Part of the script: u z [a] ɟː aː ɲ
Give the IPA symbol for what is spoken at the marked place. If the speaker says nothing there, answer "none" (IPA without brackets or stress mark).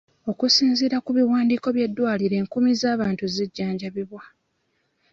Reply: i